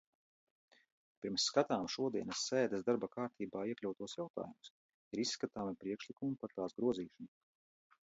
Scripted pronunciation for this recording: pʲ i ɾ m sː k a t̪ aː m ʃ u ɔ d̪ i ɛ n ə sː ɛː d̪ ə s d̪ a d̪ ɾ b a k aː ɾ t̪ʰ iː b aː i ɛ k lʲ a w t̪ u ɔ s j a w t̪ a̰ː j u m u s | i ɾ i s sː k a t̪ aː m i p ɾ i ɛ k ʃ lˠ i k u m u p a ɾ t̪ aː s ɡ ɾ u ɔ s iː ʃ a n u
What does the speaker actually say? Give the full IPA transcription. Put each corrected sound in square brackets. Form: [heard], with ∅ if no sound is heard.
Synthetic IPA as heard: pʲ i ɾ m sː k a t̪ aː m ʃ u ɔ d̪ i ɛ n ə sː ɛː d̪ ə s d̪ a [∅] ɾ b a k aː ɾ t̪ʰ iː b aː i ɛ k lʲ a w t̪ u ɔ s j a w t̪ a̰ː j u m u s | i ɾ i s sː k a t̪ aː m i p ɾ i ɛ k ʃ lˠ i k u m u p a ɾ t̪ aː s ɡ ɾ u ɔ [z] iː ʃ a n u